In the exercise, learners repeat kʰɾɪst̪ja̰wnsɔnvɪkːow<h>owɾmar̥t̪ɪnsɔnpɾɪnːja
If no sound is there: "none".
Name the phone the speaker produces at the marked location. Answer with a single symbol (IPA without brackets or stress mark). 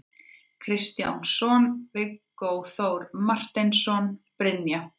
θ